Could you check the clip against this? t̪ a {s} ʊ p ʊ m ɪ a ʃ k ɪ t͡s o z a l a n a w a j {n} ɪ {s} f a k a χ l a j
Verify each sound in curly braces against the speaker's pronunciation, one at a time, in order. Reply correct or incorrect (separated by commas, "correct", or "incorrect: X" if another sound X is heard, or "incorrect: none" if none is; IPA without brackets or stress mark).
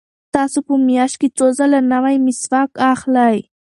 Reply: correct, incorrect: m, correct